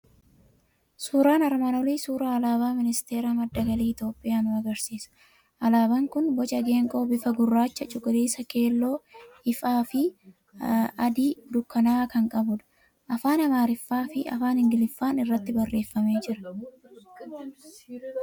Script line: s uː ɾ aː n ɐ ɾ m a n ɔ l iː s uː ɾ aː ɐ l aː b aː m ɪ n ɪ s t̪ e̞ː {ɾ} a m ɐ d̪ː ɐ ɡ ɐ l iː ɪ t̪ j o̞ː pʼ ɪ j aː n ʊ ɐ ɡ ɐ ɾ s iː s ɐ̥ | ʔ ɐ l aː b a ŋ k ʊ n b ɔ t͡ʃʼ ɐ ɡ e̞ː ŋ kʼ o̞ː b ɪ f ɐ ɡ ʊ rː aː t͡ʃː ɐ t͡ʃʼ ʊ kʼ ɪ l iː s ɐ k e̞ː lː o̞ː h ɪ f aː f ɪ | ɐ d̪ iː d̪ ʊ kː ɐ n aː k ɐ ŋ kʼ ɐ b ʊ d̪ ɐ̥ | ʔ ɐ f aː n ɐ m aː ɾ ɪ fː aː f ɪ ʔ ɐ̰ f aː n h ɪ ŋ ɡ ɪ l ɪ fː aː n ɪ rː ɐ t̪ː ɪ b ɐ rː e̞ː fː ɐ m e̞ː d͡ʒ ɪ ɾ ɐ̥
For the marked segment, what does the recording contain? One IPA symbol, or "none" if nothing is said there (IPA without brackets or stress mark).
ɾ